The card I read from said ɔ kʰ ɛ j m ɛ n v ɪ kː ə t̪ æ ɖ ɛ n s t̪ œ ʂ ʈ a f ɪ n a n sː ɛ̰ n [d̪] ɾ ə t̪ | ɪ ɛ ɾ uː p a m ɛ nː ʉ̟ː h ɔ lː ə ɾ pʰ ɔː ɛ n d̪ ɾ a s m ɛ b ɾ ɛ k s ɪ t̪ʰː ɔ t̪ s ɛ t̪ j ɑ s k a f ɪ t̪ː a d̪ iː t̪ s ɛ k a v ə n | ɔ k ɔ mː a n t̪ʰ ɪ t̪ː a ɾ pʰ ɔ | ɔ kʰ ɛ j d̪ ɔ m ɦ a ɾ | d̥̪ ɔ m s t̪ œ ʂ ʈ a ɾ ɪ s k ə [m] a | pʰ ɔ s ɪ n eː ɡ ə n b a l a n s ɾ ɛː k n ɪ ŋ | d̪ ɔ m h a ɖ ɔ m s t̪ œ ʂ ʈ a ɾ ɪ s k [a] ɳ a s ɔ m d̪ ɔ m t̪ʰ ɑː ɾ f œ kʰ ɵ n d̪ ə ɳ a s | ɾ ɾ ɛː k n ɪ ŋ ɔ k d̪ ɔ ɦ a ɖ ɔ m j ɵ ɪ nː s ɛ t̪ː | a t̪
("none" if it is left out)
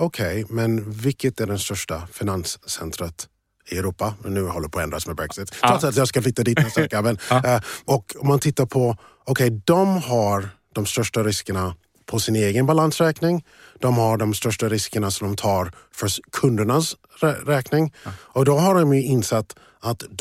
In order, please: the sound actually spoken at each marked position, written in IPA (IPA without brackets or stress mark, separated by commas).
t̪, ɳ, ə